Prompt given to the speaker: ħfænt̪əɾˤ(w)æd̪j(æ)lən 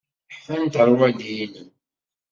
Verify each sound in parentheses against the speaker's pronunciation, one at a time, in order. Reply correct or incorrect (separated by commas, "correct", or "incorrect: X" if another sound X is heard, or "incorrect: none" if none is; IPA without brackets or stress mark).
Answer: correct, incorrect: i